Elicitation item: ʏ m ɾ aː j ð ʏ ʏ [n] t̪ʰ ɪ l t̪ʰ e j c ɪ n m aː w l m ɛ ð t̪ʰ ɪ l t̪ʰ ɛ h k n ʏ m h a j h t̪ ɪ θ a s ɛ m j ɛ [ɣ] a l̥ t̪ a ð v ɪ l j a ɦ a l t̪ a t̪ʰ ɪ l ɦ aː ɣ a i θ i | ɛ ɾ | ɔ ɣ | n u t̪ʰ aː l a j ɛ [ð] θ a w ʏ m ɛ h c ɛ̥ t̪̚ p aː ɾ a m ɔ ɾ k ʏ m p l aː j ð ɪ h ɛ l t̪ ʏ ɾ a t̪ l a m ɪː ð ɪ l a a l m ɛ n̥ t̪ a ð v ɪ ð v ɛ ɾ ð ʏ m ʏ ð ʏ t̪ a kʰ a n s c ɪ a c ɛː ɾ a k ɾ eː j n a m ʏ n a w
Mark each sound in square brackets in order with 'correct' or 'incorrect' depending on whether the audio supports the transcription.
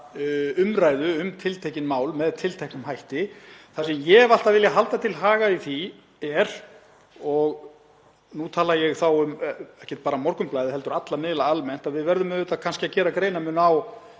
incorrect: m, incorrect: v, incorrect: ɣ

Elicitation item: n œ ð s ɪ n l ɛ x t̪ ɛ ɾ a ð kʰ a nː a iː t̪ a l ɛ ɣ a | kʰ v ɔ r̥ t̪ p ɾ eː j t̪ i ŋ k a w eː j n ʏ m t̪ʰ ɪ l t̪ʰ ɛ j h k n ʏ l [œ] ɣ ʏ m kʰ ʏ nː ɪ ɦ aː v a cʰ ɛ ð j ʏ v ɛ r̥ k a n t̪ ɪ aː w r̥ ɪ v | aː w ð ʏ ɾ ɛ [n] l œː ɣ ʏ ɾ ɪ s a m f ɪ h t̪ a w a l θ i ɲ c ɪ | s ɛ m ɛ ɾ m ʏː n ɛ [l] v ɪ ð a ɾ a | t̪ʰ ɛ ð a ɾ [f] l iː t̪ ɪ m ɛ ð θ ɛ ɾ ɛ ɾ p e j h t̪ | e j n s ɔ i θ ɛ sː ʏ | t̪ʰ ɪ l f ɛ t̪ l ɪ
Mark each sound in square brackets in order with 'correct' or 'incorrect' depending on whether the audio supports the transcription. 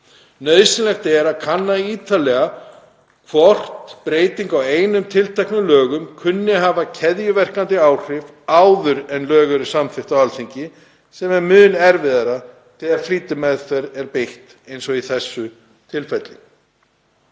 incorrect: œː, correct, incorrect: ɾ, correct

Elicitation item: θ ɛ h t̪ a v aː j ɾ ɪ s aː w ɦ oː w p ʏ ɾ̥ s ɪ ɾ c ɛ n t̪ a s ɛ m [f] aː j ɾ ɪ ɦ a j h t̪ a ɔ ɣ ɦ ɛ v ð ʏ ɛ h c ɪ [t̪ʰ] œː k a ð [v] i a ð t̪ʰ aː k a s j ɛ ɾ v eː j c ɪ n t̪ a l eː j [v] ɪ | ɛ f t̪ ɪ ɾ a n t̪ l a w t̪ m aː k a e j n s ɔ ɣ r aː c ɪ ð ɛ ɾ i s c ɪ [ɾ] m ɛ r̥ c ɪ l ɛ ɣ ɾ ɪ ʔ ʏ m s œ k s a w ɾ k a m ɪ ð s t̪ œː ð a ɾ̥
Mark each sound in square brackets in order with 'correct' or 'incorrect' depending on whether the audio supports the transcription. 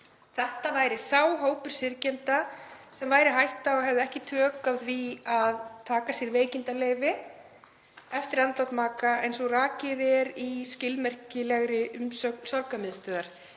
incorrect: v, correct, correct, correct, incorrect: l

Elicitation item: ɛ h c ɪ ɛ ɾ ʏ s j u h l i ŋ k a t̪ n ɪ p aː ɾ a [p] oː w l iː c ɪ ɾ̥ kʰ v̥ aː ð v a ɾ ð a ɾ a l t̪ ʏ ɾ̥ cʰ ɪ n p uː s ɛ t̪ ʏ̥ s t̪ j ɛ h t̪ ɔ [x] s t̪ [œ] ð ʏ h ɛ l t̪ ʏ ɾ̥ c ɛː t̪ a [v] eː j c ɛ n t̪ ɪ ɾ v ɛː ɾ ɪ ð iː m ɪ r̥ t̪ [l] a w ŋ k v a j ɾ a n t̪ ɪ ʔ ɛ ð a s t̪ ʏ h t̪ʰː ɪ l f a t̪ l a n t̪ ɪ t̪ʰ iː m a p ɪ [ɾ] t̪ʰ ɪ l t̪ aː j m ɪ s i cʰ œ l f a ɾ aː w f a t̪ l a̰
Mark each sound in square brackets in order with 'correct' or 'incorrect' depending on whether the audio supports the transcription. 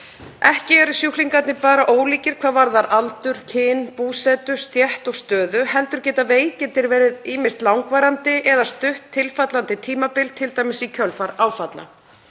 incorrect: ʔ, incorrect: ɣ, incorrect: œː, correct, correct, incorrect: l

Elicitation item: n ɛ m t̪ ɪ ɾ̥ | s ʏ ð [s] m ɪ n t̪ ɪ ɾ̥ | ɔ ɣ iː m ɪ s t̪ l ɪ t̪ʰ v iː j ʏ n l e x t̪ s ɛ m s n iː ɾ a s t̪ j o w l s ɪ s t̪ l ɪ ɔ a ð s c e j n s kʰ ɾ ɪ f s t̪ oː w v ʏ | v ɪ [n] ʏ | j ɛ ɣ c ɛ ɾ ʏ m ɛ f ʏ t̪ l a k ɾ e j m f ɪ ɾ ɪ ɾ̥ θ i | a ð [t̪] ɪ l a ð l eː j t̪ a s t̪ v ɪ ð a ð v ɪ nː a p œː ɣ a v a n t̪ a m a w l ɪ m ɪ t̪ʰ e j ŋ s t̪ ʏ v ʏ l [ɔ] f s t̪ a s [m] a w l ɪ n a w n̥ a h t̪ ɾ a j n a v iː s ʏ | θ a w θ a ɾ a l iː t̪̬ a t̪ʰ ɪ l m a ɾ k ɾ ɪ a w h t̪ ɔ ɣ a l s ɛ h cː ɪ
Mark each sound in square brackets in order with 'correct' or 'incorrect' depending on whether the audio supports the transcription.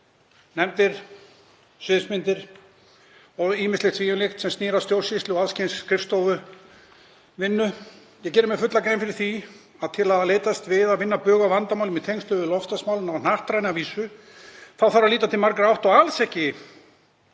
correct, incorrect: nː, incorrect: t̪ʰ, correct, correct

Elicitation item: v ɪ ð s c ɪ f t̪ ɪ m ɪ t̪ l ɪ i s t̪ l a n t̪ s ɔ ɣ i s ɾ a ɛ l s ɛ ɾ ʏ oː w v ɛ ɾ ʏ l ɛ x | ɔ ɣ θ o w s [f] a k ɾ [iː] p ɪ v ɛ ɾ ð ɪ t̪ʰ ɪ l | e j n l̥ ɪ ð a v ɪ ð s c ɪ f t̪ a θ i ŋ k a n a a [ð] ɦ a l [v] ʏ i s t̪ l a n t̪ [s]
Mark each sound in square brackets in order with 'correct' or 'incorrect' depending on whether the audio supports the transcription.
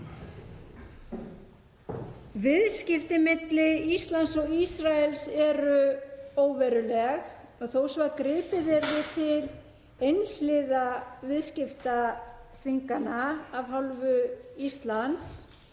incorrect: v, incorrect: ɪː, incorrect: v, correct, correct

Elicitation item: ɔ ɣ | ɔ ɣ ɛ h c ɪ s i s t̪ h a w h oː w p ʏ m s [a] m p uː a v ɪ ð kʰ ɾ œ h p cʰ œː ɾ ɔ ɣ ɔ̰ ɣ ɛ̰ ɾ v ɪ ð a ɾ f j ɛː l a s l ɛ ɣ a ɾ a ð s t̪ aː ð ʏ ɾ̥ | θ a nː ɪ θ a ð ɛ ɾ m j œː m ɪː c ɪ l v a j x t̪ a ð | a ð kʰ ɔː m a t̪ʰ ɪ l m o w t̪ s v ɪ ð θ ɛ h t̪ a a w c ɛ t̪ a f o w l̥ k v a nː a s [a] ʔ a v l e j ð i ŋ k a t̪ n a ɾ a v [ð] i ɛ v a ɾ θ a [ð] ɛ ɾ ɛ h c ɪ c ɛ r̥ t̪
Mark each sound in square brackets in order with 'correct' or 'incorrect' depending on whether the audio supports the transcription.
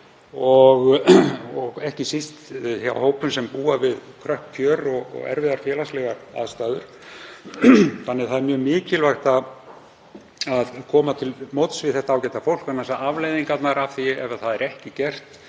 incorrect: ɛ, correct, incorrect: θ, correct

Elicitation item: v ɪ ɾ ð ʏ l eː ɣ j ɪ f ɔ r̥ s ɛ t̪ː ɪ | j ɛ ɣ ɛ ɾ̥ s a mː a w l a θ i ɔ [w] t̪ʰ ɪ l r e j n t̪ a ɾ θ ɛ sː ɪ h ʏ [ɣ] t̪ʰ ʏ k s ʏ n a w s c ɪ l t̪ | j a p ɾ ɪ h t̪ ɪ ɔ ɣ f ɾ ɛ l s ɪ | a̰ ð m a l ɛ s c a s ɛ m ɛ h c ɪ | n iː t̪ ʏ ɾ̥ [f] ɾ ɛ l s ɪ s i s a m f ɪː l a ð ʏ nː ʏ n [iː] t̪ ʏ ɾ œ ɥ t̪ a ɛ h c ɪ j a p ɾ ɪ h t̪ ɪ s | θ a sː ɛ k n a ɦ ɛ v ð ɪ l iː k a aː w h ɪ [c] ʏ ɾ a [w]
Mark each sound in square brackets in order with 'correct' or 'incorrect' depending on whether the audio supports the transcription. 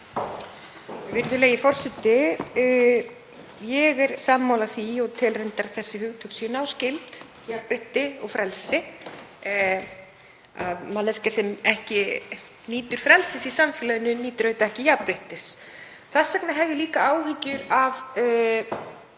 incorrect: ɣ, correct, correct, correct, correct, incorrect: v

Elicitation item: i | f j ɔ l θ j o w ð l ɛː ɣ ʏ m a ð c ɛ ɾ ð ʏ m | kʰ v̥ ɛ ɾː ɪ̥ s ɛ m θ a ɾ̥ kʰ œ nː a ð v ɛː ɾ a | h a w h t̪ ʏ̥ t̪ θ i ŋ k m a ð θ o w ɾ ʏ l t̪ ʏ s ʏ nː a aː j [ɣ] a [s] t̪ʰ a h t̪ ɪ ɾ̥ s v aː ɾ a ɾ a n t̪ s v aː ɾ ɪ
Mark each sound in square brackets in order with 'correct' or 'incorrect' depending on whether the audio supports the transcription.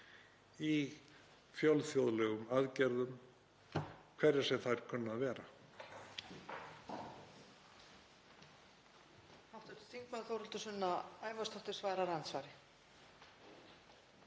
incorrect: v, correct

